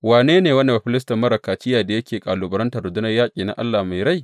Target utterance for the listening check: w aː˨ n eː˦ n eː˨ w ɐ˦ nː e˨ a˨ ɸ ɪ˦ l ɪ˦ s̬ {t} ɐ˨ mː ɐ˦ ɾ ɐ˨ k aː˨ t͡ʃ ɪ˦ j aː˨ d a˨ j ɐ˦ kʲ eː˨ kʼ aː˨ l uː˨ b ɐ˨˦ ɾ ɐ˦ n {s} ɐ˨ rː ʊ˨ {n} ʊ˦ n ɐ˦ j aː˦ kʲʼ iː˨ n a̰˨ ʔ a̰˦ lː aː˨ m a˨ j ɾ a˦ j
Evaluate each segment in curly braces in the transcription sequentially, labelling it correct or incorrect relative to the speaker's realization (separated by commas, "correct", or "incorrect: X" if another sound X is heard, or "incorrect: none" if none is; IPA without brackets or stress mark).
correct, incorrect: t, incorrect: d